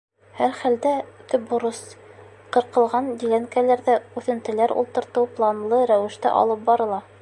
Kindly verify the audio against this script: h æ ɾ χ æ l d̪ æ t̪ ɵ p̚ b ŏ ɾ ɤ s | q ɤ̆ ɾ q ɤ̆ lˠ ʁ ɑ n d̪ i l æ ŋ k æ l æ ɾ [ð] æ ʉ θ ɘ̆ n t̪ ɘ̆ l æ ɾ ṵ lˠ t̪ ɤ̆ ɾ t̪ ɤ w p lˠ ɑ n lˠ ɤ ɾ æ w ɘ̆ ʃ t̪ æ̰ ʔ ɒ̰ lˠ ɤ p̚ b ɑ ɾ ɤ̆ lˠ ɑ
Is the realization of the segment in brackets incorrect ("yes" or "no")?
no